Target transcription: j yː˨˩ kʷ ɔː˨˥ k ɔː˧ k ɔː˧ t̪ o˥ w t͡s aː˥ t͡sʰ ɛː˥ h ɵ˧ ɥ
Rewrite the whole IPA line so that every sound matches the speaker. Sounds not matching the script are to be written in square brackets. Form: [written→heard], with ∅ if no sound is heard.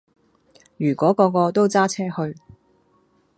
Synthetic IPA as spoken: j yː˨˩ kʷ ɔː˨˥ k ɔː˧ k ɔː˧ t̪ o˥ w t͡s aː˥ t͡sʰ ɛː˥ h ɵ˧ ɥ